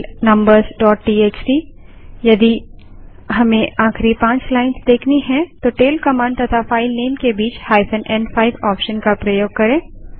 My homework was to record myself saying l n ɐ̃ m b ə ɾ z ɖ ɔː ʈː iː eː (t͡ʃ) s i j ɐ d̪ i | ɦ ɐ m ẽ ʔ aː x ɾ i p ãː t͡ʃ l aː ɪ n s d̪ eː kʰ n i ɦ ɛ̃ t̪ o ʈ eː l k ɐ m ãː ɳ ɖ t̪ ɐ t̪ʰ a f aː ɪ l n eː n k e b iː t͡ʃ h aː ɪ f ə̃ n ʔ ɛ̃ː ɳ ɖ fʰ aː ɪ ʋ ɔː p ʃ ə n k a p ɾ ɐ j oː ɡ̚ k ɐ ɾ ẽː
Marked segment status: correct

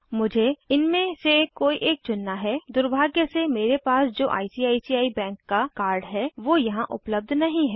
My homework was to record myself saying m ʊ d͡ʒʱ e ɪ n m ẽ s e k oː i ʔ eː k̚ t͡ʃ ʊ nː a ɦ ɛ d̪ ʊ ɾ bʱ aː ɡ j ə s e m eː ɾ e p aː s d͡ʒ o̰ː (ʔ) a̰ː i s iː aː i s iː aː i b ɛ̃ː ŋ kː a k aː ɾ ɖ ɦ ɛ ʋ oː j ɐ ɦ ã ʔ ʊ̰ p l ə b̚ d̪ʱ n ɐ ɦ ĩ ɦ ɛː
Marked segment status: correct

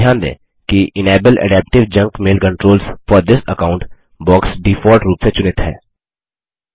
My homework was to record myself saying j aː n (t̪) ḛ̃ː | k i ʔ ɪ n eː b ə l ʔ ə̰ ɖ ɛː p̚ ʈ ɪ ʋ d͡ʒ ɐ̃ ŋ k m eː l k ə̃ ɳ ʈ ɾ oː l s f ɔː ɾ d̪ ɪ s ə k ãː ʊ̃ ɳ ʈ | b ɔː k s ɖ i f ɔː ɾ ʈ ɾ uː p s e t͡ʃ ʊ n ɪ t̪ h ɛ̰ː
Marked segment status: incorrect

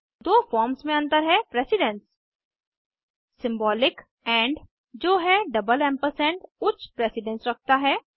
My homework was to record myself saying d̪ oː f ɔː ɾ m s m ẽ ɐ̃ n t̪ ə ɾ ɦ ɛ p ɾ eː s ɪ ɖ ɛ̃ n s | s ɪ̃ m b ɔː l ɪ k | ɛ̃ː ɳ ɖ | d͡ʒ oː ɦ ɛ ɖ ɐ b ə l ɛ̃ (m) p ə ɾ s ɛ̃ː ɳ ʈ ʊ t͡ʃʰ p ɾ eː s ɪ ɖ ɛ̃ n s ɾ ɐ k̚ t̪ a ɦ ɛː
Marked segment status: correct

